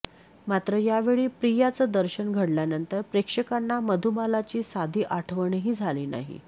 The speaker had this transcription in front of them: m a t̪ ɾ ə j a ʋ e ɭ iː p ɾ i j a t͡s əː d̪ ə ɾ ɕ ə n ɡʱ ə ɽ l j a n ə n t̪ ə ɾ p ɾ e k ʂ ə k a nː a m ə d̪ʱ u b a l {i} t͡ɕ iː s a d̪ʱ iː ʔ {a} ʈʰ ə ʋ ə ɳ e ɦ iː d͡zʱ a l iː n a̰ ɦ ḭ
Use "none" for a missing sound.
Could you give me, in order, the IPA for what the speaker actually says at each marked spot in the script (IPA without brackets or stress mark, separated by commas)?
a, a